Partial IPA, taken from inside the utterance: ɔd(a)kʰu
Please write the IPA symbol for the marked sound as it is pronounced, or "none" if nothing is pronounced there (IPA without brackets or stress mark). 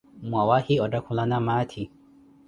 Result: a